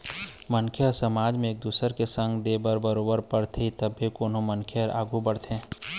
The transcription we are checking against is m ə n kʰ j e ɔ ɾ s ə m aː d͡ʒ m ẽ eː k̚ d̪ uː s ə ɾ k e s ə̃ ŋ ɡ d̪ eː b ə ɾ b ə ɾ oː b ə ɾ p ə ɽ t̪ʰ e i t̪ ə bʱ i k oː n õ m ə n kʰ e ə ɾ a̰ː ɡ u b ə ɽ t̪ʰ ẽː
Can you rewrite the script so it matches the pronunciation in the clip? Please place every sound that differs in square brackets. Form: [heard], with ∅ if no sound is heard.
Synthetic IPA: m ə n kʰ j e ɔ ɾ s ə m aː d͡ʒ m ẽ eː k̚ d̪ uː s ə ɾ k e s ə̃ ŋ ɡ d̪ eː b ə ɾ b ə ɾ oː b ə ɾ p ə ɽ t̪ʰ e i t̪ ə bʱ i k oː n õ m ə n kʰ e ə ɾ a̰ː ɡ u b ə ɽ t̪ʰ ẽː

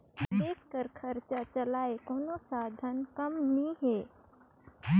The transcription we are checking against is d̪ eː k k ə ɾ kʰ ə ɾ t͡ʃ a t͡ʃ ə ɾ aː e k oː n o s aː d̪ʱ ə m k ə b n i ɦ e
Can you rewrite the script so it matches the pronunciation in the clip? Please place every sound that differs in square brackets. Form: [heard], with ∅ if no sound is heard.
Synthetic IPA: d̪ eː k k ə ɾ kʰ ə ɾ t͡ʃ a t͡ʃ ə [l] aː e k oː n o s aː d̪ʱ ə [n] k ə [m] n i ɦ e

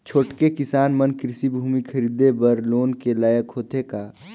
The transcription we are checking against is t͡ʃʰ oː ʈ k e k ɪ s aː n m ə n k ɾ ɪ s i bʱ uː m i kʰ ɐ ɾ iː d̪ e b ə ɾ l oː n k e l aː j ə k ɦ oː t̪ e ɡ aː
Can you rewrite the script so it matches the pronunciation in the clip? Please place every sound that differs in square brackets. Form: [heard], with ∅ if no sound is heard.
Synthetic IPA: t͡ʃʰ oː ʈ k e k ɪ s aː n m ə n k ɾ ɪ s i bʱ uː m i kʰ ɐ ɾ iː d̪ e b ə ɾ l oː n k e l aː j ə k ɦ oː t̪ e [k] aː

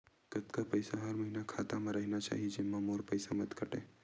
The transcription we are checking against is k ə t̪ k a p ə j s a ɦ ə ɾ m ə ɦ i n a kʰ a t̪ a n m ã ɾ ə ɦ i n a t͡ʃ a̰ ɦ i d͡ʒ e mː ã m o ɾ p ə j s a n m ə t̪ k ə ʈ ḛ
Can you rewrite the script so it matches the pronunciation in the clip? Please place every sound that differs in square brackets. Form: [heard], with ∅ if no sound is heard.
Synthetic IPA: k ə t̪ k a p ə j s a ɦ ə ɾ m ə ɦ i n a kʰ a t̪ a [∅] m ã ɾ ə ɦ i n a t͡ʃ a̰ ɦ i d͡ʒ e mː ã m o ɾ p ə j s a [∅] m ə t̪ k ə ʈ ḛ

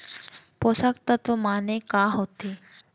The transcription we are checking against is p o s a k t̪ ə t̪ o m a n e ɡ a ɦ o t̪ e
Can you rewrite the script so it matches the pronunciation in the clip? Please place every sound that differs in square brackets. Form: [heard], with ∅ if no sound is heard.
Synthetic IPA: p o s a k t̪ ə t̪ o m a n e [k] a ɦ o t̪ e

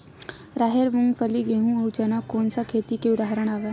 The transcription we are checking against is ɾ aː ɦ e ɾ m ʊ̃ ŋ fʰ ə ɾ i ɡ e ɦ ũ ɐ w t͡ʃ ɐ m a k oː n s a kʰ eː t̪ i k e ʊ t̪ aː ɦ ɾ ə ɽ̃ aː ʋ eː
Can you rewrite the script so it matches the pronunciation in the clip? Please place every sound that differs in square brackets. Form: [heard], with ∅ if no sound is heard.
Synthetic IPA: ɾ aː ɦ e ɾ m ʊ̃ ŋ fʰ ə [l] i ɡ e ɦ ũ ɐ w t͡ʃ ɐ [n] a k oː n s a kʰ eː t̪ i k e ʊ [d̪] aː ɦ ɾ ə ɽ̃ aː ʋ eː

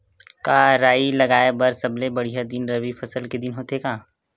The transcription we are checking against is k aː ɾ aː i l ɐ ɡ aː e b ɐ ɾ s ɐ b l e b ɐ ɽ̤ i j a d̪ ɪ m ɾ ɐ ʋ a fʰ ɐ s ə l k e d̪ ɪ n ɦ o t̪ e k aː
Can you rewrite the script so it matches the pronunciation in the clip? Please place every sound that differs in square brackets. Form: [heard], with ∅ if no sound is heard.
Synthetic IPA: k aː ɾ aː i l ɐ ɡ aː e b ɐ ɾ s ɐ b l e b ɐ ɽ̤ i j a d̪ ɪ [n] ɾ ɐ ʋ [i] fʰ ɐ s ə l k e d̪ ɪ n ɦ o t̪ e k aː

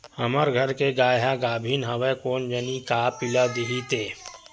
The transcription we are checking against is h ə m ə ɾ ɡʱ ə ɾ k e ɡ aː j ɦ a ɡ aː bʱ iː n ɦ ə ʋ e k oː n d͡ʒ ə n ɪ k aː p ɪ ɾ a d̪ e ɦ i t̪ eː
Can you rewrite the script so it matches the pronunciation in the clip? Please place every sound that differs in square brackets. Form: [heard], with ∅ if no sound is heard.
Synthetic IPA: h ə m ə ɾ ɡʱ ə ɾ k e ɡ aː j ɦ a ɡ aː bʱ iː n ɦ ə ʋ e k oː n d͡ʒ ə n [i] k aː p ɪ [l] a d̪ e ɦ i t̪ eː

